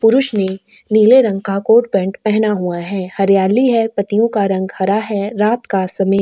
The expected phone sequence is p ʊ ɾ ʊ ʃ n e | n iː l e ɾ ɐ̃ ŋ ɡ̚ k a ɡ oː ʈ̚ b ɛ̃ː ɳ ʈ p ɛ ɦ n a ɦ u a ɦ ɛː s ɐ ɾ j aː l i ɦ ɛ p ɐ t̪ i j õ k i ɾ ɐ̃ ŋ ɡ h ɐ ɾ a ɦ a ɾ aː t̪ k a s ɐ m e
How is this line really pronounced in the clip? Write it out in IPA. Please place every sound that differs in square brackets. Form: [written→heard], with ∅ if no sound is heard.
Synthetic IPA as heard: p ʊ ɾ ʊ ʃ n e | n iː l e ɾ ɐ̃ ŋ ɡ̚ k a [ɡ→k] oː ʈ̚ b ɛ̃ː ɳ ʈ p ɛ ɦ n a ɦ u a ɦ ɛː [s→h] ɐ ɾ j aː l i ɦ ɛ p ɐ t̪ i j õ k [i→a] ɾ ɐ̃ ŋ ɡ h ɐ ɾ a ɦ [a→ɛ] ɾ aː t̪ k a s ɐ m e